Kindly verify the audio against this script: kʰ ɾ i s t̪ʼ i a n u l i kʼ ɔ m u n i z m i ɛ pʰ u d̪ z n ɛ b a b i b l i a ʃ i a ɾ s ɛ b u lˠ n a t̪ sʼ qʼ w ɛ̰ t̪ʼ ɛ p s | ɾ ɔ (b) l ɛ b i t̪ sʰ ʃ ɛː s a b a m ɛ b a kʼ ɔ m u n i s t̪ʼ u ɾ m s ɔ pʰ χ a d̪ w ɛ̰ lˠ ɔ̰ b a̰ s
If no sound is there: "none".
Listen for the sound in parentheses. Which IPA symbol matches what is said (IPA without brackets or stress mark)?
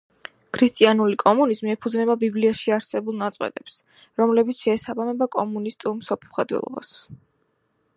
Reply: m